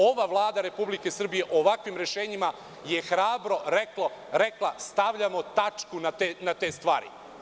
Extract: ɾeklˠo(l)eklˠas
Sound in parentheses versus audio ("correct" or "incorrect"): incorrect